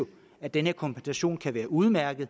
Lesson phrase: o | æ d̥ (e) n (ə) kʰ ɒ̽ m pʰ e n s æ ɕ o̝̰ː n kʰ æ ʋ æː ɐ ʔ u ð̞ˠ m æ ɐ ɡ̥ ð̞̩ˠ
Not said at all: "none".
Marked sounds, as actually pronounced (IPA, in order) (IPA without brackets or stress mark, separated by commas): e, ə